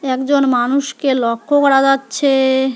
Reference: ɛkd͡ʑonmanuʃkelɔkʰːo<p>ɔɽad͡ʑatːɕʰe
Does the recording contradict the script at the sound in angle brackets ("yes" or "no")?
yes